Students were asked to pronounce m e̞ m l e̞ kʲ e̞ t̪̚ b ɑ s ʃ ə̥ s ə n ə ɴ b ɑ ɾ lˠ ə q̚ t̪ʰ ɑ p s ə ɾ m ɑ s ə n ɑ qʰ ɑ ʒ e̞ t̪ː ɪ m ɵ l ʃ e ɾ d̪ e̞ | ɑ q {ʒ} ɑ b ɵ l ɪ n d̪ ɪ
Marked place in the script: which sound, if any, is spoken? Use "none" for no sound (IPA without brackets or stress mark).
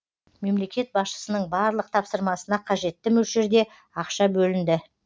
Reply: ʃ